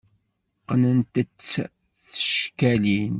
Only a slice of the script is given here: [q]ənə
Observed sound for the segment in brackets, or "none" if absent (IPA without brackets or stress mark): q